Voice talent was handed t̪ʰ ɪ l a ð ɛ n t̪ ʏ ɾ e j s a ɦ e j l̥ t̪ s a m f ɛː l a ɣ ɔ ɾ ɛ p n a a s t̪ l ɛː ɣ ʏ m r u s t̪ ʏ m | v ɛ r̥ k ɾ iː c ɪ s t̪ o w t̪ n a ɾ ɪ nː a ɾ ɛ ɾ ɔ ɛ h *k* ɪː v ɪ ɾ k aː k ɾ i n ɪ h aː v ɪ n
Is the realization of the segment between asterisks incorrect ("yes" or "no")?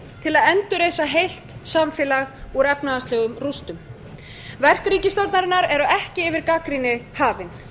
yes